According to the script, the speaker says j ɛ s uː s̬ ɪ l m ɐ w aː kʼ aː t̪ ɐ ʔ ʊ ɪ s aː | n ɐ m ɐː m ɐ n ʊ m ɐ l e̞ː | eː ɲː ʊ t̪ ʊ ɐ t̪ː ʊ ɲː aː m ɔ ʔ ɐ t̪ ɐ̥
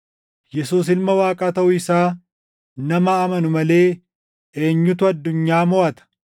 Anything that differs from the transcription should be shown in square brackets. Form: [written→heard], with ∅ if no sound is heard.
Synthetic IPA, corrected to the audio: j ɛ s uː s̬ ɪ l m ɐ w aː kʼ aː t̪ ɐ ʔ ʊ ɪ s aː | n ɐ m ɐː m ɐ n ʊ m ɐ l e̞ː | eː ɲː ʊ t̪ ʊ ɐ [t̪ː→d̪ː] ʊ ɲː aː m ɔ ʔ ɐ t̪ ɐ̥

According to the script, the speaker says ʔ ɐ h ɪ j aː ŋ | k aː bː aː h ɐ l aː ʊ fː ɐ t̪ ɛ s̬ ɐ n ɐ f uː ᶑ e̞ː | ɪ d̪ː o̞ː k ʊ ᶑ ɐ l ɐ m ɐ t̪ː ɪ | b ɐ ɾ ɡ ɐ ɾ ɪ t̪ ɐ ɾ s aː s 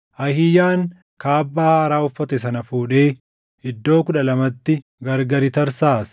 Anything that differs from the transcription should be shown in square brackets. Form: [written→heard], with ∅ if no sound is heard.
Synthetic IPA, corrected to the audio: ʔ ɐ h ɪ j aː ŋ | k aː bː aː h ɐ [l→ɾ] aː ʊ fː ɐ t̪ ɛ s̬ ɐ n ɐ f uː ᶑ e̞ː | ɪ d̪ː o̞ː k ʊ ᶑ ɐ l ɐ m ɐ t̪ː ɪ | [b→ɡ] ɐ ɾ ɡ ɐ ɾ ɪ t̪ ɐ ɾ s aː s

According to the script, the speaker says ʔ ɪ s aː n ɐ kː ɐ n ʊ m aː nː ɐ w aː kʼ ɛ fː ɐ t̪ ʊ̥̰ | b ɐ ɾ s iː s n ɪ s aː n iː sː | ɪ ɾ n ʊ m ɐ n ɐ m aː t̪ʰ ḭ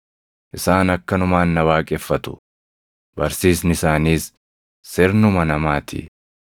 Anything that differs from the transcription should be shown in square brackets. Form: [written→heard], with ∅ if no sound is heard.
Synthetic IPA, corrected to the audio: ʔ ɪ s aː n ɐ kː ɐ n ʊ m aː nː ɐ w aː kʼ ɛ fː ɐ t̪ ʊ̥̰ | b ɐ ɾ s iː s n ɪ s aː n iː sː | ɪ ɾ n ʊ m ɐ n ɐ m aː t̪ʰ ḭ

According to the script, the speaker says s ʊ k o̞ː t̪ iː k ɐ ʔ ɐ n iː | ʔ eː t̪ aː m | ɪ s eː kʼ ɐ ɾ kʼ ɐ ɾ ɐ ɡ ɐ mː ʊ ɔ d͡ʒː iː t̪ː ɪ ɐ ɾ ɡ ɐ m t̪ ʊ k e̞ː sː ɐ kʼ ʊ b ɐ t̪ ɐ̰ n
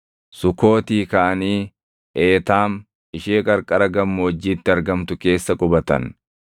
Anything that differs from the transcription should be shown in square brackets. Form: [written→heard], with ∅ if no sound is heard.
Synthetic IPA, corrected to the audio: s ʊ k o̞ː t̪ iː k ɐ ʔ ɐ n iː | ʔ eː t̪ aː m | ɪ [s→ʃ] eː kʼ ɐ ɾ kʼ ɐ ɾ ɐ ɡ ɐ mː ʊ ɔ d͡ʒː iː t̪ː ɪ ɐ ɾ ɡ ɐ m t̪ ʊ k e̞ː sː ɐ kʼ ʊ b ɐ t̪ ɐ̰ n

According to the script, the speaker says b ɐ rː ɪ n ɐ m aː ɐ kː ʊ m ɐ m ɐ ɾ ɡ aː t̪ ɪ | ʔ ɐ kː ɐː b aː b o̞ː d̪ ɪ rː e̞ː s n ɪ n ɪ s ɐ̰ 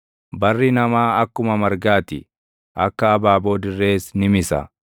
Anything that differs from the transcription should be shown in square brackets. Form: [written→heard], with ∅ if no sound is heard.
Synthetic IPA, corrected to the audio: b ɐ rː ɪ n ɐ m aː ɐ kː ʊ m ɐ m ɐ ɾ ɡ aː t̪ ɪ | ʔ ɐ kː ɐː b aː b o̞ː d̪ ɪ rː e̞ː s n ɪ [n→m] ɪ s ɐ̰

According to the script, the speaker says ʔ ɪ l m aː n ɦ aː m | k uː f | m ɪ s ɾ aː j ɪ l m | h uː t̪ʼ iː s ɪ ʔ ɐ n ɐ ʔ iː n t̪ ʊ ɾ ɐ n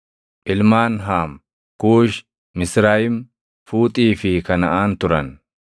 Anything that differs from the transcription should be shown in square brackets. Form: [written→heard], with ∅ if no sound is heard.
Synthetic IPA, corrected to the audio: ʔ ɪ l m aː n ɦ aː m | k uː [f→ʃ] | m ɪ s ɾ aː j ɪ [l→∅] m | [h→f] uː t̪ʼ iː [s→f] ɪ [ʔ→k] ɐ n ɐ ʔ [iː→aː] n t̪ ʊ ɾ ɐ n

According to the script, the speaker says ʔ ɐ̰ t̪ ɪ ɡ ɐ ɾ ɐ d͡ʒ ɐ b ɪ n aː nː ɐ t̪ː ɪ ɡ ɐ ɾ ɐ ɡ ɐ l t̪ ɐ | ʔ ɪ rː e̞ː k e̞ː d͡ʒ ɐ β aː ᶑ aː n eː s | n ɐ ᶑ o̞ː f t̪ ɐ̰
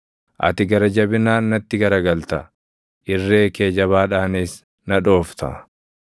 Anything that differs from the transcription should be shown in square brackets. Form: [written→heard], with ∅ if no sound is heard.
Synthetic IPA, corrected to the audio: ʔ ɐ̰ t̪ ɪ ɡ ɐ ɾ ɐ d͡ʒ ɐ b ɪ n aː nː ɐ t̪ː ɪ ɡ ɐ ɾ ɐ ɡ ɐ l t̪ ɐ | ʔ ɪ rː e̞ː k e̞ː d͡ʒ ɐ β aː ᶑ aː n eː s | n ɐ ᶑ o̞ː f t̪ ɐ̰

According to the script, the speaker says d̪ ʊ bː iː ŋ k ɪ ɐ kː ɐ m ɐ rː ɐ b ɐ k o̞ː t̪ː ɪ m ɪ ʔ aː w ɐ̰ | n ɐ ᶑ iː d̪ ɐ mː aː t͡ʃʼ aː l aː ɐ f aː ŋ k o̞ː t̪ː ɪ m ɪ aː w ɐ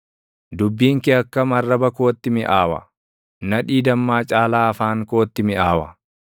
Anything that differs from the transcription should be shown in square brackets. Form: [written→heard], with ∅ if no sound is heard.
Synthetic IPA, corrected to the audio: d̪ ʊ bː iː ŋ k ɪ ɐ kː ɐ m ɐ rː ɐ b ɐ k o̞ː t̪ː ɪ m ɪ ʔ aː w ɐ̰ | n ɐ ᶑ iː d̪ ɐ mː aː t͡ʃʼ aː l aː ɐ f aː ŋ k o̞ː t̪ː ɪ m ɪ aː w ɐ

